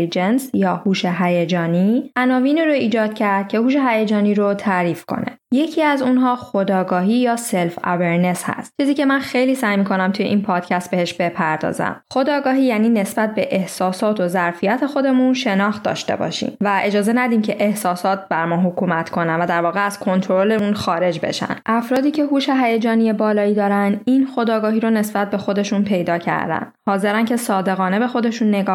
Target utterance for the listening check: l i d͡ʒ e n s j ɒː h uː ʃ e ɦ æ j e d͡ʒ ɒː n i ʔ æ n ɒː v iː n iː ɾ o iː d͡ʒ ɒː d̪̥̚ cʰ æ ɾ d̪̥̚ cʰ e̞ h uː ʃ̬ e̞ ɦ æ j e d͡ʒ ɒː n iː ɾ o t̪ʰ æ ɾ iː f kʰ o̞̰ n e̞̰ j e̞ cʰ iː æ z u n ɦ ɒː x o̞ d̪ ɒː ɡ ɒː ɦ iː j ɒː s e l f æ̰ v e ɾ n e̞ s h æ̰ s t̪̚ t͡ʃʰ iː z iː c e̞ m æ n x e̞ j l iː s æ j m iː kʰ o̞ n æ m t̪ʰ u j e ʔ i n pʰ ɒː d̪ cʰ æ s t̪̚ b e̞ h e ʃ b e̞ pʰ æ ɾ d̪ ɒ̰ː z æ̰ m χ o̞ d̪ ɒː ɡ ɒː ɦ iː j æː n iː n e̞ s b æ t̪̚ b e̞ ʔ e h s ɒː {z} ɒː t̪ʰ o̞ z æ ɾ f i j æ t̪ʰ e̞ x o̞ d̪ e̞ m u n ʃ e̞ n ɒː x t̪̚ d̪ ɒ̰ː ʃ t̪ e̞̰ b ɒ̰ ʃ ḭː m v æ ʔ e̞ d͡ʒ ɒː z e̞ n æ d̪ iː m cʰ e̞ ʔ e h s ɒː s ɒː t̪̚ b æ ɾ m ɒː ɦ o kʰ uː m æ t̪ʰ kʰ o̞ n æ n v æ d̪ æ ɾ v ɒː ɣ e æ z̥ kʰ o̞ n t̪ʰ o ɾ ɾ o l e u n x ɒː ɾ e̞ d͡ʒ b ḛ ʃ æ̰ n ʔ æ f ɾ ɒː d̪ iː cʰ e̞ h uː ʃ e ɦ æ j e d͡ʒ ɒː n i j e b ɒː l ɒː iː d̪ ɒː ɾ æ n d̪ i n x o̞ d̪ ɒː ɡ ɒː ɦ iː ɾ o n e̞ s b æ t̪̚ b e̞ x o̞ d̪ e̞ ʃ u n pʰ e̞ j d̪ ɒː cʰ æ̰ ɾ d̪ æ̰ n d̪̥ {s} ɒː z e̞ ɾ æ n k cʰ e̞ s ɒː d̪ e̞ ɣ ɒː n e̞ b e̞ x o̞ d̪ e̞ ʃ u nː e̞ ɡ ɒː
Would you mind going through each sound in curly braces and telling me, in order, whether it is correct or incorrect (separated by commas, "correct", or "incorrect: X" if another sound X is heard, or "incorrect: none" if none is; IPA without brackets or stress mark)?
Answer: incorrect: s, incorrect: h